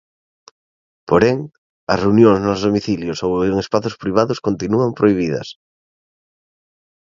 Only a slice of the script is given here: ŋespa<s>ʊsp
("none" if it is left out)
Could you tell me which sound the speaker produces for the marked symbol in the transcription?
θ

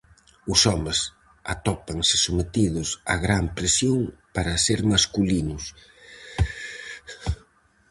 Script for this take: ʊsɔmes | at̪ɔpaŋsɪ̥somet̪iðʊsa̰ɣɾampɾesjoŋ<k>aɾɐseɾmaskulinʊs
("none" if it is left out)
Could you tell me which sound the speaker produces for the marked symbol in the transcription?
p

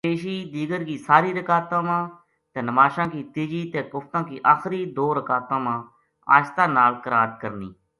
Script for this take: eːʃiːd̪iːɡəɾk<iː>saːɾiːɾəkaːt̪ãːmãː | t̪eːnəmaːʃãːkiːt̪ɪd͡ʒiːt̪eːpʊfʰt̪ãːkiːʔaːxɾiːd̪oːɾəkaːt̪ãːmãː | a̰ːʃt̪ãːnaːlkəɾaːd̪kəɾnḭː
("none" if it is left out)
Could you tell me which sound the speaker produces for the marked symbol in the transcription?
iː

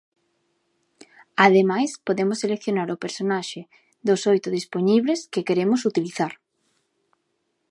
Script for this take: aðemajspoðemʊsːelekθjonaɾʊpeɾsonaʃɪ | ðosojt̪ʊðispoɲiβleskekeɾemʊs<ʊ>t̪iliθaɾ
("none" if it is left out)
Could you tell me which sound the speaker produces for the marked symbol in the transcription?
u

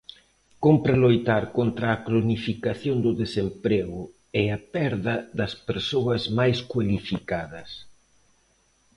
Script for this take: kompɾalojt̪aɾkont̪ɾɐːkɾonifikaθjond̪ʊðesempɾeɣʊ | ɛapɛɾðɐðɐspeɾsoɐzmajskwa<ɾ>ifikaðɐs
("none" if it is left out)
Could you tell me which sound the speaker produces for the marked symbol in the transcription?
l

